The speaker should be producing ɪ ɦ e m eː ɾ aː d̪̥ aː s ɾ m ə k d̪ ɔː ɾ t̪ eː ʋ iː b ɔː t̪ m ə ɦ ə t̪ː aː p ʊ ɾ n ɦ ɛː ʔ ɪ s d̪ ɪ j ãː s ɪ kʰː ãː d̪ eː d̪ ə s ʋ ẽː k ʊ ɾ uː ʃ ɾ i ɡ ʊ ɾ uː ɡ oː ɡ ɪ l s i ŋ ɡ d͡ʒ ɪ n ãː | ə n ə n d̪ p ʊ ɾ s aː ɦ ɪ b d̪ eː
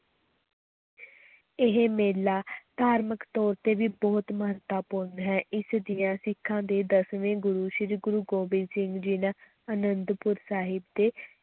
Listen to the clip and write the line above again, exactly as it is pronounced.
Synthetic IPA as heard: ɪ ɦ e m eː l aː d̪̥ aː ɾ m ə k t̪ ɔː ɾ t̪ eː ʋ iː b ɔː t̪ m ə ɦ ə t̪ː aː p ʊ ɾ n ɦ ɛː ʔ ɪ s d̪ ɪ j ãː s ɪ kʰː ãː d̪ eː d̪ ə s ʋ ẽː ɡ ʊ ɾ uː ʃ ɾ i ɡ ʊ ɾ uː ɡ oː b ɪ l s ɪ ŋ ɡ d͡ʒ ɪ n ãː | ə n ə n d̪ p ʊ ɾ s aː ɦ ɪ b d̪ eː